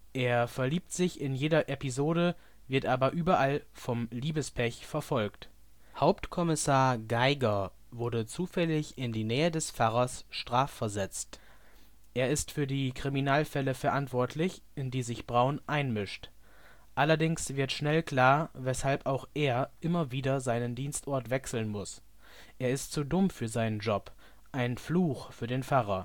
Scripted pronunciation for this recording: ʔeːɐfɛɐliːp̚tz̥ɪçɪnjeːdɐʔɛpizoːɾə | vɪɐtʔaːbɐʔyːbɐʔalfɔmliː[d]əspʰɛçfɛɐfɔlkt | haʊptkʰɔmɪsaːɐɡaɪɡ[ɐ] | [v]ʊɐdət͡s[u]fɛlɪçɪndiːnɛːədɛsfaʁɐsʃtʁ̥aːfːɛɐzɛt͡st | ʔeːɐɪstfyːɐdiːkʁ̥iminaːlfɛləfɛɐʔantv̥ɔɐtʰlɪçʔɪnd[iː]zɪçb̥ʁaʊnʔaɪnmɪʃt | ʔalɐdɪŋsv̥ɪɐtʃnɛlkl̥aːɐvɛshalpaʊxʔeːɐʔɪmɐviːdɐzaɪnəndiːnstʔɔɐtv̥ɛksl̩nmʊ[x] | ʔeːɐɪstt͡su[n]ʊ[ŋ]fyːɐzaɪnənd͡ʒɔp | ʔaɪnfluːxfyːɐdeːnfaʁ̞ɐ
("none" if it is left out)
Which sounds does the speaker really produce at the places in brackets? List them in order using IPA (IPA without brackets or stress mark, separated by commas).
b, ɐ, v, uː, iː, s, d, m